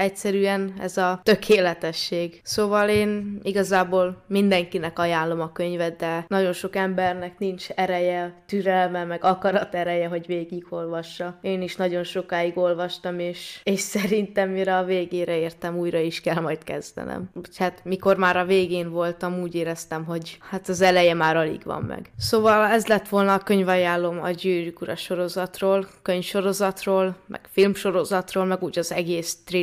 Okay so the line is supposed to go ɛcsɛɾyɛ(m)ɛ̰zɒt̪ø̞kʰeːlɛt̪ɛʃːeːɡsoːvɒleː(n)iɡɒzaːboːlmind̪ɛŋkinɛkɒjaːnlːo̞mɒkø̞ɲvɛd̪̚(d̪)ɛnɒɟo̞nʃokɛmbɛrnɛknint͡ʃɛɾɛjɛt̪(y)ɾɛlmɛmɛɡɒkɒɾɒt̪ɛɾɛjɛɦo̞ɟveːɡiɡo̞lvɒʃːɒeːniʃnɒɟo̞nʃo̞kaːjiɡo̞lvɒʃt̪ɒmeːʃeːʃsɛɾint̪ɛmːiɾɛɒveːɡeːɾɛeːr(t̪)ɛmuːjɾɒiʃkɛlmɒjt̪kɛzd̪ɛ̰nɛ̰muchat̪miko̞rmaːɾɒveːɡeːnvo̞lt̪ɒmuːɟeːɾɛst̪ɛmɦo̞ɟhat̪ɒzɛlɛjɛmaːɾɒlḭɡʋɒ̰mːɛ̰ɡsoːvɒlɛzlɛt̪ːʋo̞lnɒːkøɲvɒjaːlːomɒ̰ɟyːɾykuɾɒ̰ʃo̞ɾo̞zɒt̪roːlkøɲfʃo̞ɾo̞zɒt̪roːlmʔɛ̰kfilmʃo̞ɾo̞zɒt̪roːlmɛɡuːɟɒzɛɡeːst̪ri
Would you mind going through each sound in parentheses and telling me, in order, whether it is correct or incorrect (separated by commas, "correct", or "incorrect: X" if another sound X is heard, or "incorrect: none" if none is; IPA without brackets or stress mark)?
incorrect: n, correct, correct, correct, correct